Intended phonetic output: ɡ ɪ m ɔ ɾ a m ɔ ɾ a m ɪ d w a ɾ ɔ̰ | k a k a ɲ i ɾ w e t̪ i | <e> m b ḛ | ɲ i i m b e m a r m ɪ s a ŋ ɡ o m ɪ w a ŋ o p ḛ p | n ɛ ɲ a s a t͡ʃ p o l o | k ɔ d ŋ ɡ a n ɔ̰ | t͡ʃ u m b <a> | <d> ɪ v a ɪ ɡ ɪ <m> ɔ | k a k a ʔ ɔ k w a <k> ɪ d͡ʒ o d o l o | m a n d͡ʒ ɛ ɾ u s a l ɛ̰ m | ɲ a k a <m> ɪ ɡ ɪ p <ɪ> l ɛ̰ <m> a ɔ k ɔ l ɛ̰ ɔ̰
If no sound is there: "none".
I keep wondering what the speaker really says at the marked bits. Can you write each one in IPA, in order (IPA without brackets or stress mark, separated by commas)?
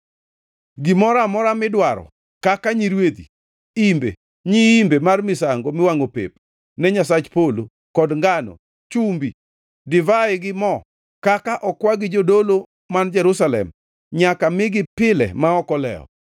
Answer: i, i, d, m, ɡ, m, ɪ, m